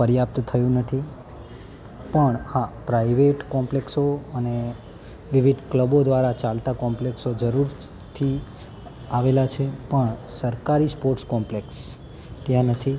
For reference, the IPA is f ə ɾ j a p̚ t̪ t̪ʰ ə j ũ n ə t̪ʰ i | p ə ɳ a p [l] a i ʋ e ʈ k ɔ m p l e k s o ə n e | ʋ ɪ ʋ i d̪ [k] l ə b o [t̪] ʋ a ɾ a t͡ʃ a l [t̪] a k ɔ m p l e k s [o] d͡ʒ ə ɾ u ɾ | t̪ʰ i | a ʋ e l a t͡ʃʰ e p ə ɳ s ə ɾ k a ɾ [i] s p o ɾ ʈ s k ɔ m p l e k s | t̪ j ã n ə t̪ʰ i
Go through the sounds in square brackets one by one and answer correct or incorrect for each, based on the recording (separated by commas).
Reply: incorrect, correct, incorrect, correct, correct, correct